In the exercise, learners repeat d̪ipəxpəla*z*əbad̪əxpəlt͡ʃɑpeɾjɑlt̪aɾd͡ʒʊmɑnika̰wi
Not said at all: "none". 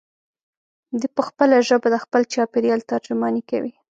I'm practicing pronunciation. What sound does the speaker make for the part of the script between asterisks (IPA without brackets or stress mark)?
ʒ